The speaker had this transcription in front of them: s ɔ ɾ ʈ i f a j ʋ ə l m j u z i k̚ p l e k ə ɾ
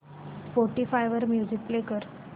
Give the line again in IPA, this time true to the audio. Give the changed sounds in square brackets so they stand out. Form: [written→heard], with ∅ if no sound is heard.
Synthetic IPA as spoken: [s→f] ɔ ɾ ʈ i f a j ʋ ə [l→ɾ] m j u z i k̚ p l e k ə ɾ